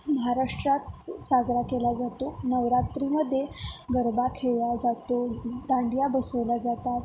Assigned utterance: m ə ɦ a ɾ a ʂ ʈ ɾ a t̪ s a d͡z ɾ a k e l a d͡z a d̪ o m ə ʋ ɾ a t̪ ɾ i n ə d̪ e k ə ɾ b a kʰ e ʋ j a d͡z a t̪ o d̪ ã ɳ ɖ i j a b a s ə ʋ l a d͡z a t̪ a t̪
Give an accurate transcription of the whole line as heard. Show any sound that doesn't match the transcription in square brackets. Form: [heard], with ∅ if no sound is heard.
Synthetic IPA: m ə ɦ a ɾ a ʂ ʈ ɾ a t̪ s a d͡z ɾ a k e l a d͡z a [t̪] o [n] ə ʋ ɾ a t̪ ɾ i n ə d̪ e [ɡ] ə ɾ b a kʰ e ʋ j a d͡z a t̪ o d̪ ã ɳ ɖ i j a b [ə] s ə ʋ l a d͡z a t̪ a t̪